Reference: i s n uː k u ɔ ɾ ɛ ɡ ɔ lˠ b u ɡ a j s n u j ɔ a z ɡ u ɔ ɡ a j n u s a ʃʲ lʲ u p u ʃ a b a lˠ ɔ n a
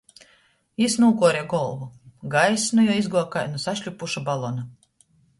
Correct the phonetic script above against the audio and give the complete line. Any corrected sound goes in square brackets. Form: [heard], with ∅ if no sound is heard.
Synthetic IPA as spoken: i s n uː k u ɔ ɾ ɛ ɡ ɔ lˠ [v] u ɡ a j s n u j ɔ [i] z ɡ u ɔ [k] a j n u s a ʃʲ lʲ u p u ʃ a b a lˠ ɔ n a